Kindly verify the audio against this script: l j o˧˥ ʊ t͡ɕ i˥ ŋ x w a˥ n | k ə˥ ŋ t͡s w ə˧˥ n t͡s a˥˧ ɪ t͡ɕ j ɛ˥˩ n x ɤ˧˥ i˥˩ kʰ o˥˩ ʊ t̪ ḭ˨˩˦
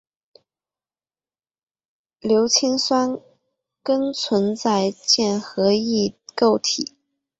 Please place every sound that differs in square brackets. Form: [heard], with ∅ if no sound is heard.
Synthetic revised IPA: l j o˧˥ ʊ [t͡ɕʰ] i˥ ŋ [s] w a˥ n | k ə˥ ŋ [t͡sʰ] w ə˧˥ n t͡s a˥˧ ɪ t͡ɕ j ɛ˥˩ n x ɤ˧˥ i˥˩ [k] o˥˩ ʊ [t̪ʰ] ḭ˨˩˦